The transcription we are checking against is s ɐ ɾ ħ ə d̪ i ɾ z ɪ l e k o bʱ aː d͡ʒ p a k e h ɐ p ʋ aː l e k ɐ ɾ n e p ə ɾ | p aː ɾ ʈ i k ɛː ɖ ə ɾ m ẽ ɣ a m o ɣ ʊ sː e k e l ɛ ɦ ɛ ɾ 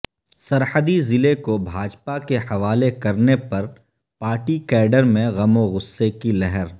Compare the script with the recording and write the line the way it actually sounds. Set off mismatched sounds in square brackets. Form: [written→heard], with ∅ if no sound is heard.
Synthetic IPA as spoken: s ɐ ɾ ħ ə d̪ i [ɾ→∅] z ɪ l e k o bʱ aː d͡ʒ p a k e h ɐ [p→∅] ʋ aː l e k ɐ ɾ n e p [ə→ɐ] ɾ | p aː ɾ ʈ i k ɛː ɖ ə ɾ m ẽ ɣ [a→ɐ] m o ɣ ʊ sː e k [e→i] l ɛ ɦ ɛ ɾ